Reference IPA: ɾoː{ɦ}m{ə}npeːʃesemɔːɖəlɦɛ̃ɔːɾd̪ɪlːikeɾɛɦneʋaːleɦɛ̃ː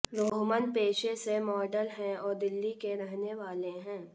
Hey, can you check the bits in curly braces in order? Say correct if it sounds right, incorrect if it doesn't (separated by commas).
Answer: correct, correct